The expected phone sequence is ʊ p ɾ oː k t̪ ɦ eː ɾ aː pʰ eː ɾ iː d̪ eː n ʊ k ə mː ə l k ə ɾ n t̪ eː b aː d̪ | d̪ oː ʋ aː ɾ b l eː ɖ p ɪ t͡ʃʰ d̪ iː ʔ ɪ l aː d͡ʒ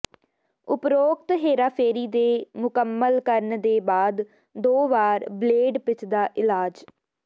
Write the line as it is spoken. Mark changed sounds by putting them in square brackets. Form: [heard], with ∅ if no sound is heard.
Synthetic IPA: ʊ p ɾ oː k t̪ ɦ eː ɾ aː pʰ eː ɾ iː d̪ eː [m] ʊ k ə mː ə l k ə ɾ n [d̪] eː b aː d̪ | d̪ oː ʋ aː ɾ b l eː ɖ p ɪ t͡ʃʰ d̪ [aː] ʔ ɪ l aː d͡ʒ